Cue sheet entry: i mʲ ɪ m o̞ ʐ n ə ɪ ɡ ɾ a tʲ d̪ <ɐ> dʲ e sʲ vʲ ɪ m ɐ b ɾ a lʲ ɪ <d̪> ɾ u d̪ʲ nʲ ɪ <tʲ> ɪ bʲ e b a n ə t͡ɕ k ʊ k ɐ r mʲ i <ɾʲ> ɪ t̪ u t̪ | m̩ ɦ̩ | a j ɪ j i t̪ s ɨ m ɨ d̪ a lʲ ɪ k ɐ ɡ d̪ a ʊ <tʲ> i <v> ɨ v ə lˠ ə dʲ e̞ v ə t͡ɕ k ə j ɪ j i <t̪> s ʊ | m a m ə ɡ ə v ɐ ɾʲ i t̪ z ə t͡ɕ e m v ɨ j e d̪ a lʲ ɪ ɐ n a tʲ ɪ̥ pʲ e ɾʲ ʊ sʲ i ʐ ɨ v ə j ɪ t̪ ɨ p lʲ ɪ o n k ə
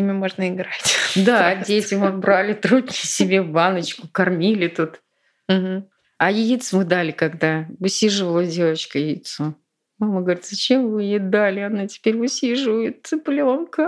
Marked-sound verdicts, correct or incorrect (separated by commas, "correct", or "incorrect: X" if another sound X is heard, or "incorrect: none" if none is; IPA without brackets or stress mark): incorrect: a, incorrect: t̪, incorrect: sʲ, incorrect: lʲ, incorrect: sʲ, incorrect: ʐ, correct